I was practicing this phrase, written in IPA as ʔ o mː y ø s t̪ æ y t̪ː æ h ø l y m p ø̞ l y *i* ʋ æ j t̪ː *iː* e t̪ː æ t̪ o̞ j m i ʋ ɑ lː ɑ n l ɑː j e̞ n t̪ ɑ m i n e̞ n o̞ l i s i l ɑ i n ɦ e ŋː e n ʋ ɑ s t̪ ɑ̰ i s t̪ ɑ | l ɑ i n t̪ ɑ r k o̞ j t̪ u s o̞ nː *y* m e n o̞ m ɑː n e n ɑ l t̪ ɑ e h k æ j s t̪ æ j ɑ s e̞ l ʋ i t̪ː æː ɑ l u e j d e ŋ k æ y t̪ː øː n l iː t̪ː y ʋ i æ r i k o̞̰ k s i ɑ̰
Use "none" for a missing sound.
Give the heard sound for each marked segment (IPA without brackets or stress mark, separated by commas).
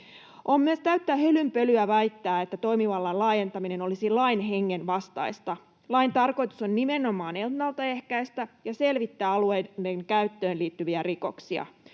æ, æː, i